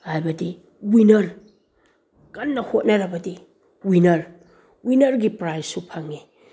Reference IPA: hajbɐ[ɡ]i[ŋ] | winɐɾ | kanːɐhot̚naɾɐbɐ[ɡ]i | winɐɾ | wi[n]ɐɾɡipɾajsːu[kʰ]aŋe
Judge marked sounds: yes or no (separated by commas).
no, no, no, yes, no